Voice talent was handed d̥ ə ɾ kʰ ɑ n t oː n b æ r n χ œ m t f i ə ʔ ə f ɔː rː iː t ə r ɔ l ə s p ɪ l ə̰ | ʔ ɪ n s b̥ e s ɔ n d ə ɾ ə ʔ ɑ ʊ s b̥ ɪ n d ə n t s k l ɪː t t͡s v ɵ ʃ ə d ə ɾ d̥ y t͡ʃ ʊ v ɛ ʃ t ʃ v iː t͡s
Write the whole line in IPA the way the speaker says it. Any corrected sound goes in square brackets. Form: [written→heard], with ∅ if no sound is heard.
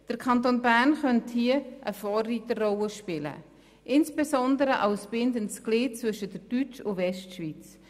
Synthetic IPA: d̥ ə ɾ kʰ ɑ n t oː n b æ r n χ œ [m→n] t [f→h] i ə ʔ ə f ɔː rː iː t ə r ɔ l ə [s→ʃ] p ɪ l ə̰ | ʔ ɪ n s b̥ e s ɔ n d ə ɾ ə ʔ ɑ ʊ s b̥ ɪ n d ə n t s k l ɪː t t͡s v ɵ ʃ ə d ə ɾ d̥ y t͡ʃ ʊ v ɛ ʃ t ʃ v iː t͡s

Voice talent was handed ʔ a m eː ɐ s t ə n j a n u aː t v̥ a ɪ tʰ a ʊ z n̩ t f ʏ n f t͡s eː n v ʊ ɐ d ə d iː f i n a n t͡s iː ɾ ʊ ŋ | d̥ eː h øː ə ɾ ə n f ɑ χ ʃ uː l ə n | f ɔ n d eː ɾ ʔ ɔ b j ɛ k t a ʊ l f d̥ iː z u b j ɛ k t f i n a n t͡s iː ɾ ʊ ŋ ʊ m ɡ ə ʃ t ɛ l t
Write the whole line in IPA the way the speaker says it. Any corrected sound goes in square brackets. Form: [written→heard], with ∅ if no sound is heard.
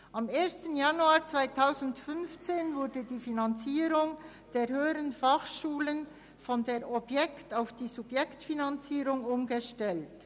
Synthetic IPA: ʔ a m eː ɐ s t ə n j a n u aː [t→t͡s] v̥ a ɪ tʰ a ʊ z n̩ t f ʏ n f t͡s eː n v ʊ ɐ d ə d iː f i n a n t͡s iː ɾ ʊ ŋ | d̥ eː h øː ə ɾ ə n f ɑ χ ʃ uː l ə n | f ɔ n d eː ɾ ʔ ɔ b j ɛ k t a ʊ [l→∅] f d̥ iː z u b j ɛ k t f i n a n t͡s iː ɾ ʊ ŋ ʊ m ɡ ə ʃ t ɛ l t

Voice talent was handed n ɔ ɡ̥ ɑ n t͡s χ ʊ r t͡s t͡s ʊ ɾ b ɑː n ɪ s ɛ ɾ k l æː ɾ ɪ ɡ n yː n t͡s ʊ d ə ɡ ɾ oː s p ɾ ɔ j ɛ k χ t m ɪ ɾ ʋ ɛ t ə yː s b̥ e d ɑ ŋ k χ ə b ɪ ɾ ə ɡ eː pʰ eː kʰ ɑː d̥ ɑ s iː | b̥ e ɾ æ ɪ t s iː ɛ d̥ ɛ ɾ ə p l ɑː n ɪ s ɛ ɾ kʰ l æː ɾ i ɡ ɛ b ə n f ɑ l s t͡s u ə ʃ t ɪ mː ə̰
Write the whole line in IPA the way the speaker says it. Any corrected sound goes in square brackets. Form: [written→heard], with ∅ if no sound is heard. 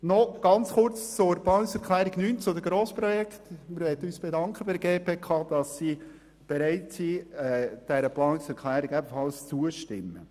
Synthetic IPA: n ɔ ɡ̥ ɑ n t͡s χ ʊ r t͡s t͡s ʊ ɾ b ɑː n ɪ s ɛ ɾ k l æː ɾ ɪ ɡ n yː n t͡s ʊ d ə ɡ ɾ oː s p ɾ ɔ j ɛ k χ t m ɪ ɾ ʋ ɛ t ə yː s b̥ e d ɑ ŋ k χ ə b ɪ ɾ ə ɡ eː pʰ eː kʰ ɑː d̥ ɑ s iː | b̥ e ɾ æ ɪ t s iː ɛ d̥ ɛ ɾ ə p l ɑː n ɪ s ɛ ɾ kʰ l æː ɾ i ɡ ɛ b ə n f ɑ l s t͡s u ə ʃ t ɪ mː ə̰

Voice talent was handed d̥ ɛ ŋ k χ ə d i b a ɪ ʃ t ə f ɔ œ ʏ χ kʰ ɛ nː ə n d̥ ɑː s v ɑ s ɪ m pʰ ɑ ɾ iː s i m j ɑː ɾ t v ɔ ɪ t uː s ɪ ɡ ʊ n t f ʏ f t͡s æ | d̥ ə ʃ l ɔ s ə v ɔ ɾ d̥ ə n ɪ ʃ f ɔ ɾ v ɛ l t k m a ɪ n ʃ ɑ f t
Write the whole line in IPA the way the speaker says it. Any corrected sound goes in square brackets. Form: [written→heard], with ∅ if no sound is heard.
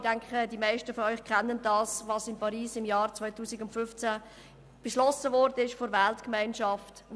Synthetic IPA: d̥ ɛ ŋ k χ ə d i [b→m] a ɪ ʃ t ə f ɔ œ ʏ χ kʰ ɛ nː ə n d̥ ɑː s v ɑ s ɪ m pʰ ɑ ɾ iː s [i→ɪ] m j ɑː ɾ [t→t͡s] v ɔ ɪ t uː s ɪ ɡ ʊ n t f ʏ f t͡s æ | [d̥→b̥] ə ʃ l ɔ s ə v ɔ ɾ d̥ ə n ɪ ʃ f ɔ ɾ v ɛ l t k m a ɪ n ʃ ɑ f t

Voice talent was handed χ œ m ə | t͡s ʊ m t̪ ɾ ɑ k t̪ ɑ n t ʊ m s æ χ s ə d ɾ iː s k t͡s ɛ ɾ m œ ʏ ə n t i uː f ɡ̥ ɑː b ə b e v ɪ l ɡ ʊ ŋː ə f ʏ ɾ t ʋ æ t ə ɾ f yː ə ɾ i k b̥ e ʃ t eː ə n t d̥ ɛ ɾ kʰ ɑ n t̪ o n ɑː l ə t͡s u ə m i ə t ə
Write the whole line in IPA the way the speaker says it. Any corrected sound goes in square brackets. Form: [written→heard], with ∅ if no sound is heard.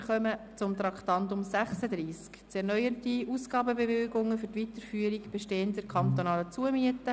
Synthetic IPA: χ œ m ə | t͡s ʊ m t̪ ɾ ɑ k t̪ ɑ n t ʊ m s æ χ s ə d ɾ iː s k t͡s ɛ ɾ [m→n] œ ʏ ə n t i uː [f→s] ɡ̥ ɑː b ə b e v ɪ l ɡ ʊ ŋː ə f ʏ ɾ t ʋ [æ→i] t ə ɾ f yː ə ɾ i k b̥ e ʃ t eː ə n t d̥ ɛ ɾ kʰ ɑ n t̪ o n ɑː l ə t͡s u ə m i ə t ə

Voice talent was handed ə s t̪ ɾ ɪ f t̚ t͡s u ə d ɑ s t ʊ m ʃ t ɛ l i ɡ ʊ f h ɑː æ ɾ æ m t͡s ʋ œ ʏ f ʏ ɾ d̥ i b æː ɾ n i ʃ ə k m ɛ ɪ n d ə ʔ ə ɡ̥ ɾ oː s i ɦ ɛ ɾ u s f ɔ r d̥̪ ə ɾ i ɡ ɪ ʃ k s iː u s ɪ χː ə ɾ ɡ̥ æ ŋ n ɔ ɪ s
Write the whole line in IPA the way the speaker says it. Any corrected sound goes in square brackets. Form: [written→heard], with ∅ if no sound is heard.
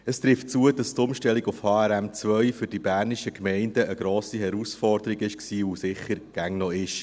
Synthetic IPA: ə s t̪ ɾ ɪ f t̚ t͡s u ə d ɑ s t ʊ m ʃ t ɛ l i ɡ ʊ f h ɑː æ ɾ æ m t͡s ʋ œ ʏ f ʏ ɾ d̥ i b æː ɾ n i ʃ ə k m ɛ ɪ n d ə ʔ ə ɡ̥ ɾ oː s i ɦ ɛ ɾ u s f ɔ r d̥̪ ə ɾ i ɡ ɪ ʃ k s iː u s ɪ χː ə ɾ ɡ̥ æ ŋ n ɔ ɪ [s→ʃ]

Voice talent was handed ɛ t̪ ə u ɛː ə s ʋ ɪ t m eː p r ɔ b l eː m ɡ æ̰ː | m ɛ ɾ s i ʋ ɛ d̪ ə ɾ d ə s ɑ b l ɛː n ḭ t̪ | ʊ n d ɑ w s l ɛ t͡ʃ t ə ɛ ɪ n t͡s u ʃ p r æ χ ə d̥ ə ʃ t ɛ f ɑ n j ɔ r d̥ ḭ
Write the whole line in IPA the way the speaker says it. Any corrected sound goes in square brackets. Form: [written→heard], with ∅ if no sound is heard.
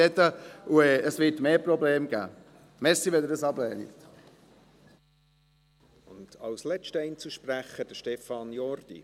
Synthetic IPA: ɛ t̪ ə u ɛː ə s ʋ ɪ t m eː p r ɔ b l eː m ɡ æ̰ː | m ɛ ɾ s i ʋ ɛ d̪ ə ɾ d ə s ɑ b l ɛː n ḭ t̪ | ʊ n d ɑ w s l ɛ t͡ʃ t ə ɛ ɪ n t͡s u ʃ p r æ χ ə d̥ ə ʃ t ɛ f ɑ n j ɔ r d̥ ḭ

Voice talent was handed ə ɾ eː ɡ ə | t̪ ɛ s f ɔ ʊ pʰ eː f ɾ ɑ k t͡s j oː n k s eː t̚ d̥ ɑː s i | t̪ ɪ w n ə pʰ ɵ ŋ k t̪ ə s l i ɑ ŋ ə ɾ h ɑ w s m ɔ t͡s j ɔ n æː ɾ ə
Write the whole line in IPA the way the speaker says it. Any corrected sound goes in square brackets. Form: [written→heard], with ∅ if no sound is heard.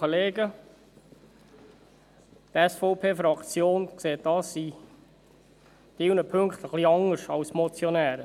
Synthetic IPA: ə [ɾ→l] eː ɡ ə | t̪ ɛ s f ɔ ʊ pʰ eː f ɾ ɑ k t͡s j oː n k s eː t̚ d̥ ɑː s i | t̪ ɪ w n ə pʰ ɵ ŋ k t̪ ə [s→χ] l i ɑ ŋ ə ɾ [h→ʃ] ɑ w s m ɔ t͡s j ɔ n æː ɾ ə

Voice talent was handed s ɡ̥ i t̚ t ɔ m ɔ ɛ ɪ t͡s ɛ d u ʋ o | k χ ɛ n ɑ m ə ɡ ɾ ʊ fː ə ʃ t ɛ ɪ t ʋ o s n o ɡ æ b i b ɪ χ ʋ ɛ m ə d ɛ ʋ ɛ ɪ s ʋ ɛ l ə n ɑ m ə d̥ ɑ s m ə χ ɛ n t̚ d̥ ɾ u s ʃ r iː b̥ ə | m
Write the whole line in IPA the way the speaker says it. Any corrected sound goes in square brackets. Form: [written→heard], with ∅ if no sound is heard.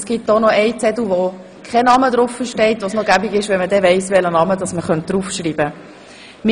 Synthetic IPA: s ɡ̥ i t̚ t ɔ [m→n] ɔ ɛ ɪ t͡s ɛ d u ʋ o | k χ ɛ n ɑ m ə [ɡ→d] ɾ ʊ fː ə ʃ t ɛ ɪ t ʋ o s n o ɡ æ b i [b→ɡ] ɪ [χ→ʃ] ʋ ɛ m ə d ɛ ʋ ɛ ɪ s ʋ ɛ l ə n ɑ m ə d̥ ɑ s m ə χ [ɛ→œ] n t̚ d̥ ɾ u [s→f] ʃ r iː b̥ ə | m

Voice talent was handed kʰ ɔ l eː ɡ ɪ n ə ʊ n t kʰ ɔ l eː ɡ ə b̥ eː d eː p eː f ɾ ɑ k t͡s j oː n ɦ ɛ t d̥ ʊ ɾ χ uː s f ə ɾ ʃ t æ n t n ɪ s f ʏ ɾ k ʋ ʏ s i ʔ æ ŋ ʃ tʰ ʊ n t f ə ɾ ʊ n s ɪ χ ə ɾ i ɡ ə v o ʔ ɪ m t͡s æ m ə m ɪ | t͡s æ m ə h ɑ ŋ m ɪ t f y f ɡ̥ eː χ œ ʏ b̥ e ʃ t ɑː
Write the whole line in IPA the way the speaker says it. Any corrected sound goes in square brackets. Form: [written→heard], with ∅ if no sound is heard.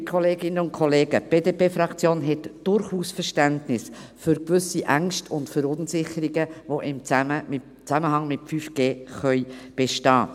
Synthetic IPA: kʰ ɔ l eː ɡ ɪ n ə ʊ n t kʰ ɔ l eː ɡ ə b̥ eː d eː p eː f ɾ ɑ k t͡s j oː n ɦ ɛ t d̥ ʊ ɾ χ uː s f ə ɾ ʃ t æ n t n ɪ s f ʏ ɾ k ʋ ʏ s i ʔ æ ŋ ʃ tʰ ʊ n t f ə ɾ ʊ n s ɪ χ ə ɾ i ɡ ə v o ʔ ɪ m t͡s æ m ə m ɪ | t͡s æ m ə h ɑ ŋ m ɪ t f y f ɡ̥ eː χ œ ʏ b̥ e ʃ t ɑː

